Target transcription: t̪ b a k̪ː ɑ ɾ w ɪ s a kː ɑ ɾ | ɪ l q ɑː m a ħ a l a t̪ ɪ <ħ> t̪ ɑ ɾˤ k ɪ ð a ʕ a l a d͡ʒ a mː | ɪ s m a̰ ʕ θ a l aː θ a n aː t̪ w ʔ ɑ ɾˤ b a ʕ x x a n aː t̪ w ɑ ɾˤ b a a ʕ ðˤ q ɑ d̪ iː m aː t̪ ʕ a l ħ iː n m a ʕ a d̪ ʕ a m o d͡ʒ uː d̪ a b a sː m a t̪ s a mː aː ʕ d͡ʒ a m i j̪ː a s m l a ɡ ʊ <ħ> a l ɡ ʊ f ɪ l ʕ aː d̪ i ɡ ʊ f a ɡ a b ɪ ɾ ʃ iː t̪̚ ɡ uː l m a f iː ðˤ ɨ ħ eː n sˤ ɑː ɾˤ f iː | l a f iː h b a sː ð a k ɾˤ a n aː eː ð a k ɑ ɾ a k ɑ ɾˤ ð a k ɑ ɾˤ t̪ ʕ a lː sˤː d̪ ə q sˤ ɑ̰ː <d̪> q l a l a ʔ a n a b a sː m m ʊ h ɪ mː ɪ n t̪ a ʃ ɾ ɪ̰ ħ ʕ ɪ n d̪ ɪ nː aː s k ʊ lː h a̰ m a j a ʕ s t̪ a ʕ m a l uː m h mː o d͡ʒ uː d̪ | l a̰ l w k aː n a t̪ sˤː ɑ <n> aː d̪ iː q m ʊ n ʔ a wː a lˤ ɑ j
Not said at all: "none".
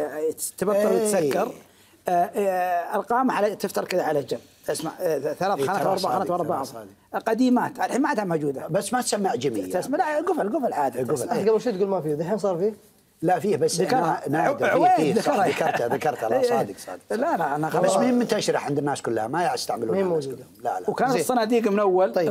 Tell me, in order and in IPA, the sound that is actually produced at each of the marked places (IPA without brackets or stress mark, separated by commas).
f, f, d̪, n